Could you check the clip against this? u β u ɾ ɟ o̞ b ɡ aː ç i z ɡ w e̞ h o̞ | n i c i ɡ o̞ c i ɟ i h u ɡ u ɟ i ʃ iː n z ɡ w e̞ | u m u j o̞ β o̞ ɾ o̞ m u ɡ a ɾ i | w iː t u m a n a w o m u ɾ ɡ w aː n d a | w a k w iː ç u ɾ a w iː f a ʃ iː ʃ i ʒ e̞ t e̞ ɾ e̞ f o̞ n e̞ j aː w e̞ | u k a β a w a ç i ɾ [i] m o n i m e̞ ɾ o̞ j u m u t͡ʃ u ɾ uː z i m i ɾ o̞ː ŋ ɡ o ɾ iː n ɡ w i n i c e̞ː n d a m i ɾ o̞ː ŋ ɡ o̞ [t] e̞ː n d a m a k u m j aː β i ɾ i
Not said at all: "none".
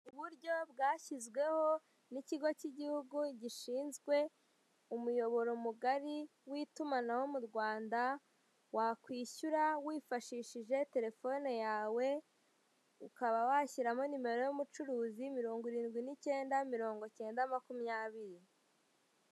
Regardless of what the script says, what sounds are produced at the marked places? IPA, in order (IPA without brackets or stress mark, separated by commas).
a, c